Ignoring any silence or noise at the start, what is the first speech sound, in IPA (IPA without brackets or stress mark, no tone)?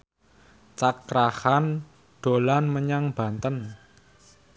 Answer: t͡ʃ